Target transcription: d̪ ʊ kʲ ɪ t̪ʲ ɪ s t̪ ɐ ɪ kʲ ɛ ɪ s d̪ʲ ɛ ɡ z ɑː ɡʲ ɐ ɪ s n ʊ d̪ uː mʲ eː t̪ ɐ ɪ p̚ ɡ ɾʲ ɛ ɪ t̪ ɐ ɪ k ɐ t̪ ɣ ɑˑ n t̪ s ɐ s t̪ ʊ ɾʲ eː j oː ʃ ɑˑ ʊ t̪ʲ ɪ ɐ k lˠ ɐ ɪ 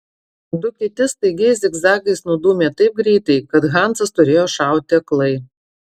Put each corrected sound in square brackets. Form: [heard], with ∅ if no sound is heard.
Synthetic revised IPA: d̪ ʊ kʲ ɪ t̪ʲ ɪ s t̪ ɐ ɪ [ɡʲ] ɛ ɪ s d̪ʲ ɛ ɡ z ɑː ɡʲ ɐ ɪ s n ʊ d̪ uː mʲ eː t̪ ɐ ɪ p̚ ɡ ɾʲ ɛ ɪ t̪ ɐ ɪ k ɐ t̪ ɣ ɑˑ n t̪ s ɐ s t̪ ʊ ɾʲ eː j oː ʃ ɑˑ ʊ t̪ʲ ɪ ɐ k lˠ ɐ ɪ